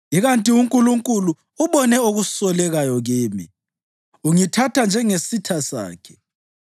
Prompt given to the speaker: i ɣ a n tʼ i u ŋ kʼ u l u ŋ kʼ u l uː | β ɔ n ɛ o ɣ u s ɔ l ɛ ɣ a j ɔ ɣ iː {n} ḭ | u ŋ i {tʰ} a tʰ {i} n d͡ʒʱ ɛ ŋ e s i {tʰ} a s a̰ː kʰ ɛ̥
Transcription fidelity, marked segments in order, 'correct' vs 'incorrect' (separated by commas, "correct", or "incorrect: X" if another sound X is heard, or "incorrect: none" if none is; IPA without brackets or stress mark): incorrect: m, correct, incorrect: a, correct